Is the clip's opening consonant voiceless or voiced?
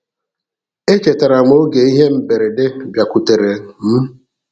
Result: voiceless